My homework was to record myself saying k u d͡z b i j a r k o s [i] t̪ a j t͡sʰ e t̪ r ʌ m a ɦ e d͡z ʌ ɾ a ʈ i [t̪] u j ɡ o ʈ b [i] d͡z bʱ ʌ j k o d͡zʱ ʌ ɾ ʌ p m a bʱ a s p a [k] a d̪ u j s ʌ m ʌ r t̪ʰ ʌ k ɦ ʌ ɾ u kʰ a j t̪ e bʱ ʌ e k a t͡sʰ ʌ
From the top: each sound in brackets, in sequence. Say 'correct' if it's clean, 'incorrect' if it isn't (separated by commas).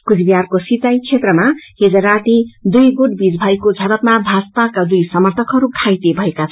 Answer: correct, incorrect, correct, correct